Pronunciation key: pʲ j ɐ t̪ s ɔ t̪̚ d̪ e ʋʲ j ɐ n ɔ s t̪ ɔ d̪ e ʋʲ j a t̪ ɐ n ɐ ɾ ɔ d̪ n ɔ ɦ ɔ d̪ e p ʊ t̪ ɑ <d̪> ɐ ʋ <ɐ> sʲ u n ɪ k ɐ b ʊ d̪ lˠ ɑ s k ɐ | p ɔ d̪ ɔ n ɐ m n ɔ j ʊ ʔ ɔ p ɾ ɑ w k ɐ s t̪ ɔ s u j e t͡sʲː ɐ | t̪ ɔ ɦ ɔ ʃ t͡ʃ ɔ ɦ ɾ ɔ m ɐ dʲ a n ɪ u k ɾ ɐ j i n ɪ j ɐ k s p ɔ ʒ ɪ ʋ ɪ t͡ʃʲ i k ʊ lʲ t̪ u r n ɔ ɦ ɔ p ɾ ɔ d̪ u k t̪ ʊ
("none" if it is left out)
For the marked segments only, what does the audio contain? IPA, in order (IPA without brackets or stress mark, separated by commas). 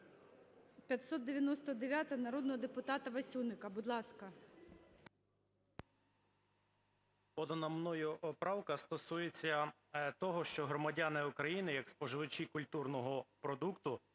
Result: t̪, ɐ